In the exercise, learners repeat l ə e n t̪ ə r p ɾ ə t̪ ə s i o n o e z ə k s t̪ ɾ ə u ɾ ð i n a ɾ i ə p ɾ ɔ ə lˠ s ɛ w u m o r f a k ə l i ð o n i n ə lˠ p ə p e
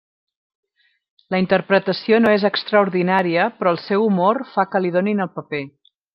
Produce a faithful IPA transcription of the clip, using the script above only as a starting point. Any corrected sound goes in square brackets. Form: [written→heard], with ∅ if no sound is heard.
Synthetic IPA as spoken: l ə [e→i] n t̪ ə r p ɾ ə t̪ ə s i o n o e z ə k s t̪ ɾ ə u ɾ ð i n a ɾ i ə p ɾ ɔ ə lˠ s ɛ w u m o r f a k ə l i ð o n i n ə lˠ p ə p e